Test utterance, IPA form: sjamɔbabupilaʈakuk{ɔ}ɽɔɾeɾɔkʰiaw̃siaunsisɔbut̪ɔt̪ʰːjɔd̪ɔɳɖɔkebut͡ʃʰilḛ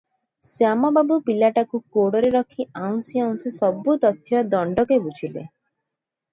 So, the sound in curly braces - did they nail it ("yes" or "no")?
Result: no